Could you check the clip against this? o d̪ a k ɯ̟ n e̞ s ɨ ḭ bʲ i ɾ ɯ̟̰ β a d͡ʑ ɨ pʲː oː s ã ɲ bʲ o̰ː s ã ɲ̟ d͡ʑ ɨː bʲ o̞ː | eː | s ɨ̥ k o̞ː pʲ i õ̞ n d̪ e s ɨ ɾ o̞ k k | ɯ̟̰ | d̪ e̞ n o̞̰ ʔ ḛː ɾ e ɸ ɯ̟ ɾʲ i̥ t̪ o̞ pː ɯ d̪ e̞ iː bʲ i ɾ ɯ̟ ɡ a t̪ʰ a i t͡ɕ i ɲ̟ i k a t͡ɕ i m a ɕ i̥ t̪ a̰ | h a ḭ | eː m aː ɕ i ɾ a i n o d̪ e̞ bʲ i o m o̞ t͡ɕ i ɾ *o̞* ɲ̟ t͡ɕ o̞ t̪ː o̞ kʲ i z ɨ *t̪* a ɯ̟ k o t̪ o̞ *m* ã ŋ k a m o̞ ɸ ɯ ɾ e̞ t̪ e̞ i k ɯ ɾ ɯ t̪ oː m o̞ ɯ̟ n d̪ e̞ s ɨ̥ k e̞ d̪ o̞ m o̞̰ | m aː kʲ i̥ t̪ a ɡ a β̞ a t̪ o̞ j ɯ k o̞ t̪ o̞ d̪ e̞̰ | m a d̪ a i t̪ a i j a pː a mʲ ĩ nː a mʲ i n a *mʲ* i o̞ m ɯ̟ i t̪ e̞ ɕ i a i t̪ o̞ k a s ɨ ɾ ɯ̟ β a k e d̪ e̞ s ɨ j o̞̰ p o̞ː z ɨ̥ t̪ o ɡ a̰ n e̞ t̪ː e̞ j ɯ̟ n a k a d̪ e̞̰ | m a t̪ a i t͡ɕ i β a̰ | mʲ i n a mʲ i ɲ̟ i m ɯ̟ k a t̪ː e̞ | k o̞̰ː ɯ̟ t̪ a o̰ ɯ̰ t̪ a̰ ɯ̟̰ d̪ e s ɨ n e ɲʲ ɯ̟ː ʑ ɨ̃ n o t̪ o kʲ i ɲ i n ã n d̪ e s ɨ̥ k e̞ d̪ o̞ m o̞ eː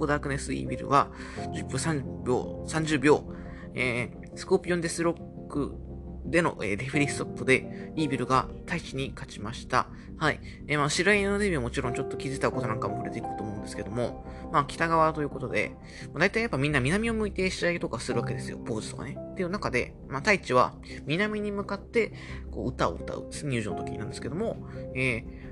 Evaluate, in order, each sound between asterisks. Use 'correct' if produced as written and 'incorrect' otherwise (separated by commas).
incorrect, correct, incorrect, correct